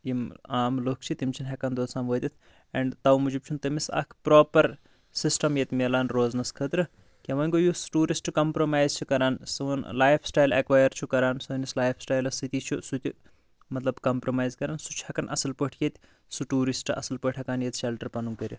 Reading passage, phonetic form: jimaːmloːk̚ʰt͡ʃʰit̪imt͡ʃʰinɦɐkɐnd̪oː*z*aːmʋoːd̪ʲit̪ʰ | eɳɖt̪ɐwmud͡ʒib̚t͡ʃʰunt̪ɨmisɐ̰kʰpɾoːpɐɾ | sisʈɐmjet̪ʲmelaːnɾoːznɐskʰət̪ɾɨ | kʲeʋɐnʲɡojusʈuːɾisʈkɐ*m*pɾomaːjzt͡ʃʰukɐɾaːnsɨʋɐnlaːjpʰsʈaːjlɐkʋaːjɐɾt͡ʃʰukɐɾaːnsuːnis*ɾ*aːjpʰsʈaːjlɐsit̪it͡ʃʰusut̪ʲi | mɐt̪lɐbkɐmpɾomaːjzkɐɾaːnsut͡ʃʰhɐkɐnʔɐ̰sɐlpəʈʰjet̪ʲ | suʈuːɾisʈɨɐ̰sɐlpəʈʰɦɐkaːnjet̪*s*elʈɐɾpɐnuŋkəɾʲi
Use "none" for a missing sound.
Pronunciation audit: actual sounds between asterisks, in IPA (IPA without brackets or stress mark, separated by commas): s, m, l, ʃ